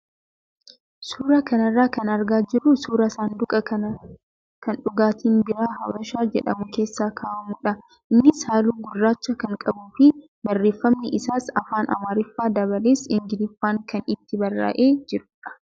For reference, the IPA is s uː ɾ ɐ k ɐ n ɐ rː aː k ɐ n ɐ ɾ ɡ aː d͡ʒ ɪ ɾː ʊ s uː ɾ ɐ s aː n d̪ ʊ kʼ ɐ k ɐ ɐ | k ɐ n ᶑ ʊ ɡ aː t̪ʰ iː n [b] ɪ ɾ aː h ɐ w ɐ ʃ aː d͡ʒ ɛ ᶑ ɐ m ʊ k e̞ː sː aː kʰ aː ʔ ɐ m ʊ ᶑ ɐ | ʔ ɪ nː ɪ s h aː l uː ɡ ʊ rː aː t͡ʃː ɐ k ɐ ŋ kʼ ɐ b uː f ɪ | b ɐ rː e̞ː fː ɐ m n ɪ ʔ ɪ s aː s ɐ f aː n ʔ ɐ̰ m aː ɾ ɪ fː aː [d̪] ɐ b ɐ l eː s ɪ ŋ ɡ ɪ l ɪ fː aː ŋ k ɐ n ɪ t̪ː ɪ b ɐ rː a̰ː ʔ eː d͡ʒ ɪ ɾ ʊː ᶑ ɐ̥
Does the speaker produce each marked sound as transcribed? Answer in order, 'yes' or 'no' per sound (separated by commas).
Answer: yes, yes